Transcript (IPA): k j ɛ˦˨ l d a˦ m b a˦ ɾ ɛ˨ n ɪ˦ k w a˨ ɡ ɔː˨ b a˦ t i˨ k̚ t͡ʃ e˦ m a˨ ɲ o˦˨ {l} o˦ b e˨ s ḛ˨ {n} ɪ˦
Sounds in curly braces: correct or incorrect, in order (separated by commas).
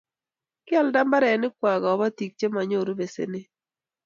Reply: incorrect, correct